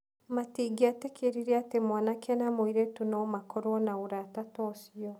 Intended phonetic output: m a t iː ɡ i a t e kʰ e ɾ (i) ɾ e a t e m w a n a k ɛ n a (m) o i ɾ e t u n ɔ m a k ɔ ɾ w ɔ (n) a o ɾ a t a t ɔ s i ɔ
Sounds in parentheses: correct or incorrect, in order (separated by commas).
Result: correct, correct, correct